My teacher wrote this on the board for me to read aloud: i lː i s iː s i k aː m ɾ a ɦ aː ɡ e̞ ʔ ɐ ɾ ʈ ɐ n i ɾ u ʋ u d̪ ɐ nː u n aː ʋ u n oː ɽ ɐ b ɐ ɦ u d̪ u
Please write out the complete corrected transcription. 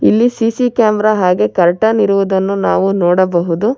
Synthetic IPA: i lː i s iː s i k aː m ɾ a ɦ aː ɡ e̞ k ɐ ɾ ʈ ɐ n i ɾ u ʋ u d̪ ɐ nː u n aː ʋ u n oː ɽ ɐ b ɐ ɦ u d̪ u